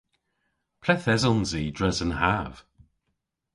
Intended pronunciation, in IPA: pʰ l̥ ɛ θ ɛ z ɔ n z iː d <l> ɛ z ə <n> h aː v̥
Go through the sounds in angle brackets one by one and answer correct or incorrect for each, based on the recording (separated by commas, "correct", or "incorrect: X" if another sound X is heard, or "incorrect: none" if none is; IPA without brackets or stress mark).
incorrect: ɹ, correct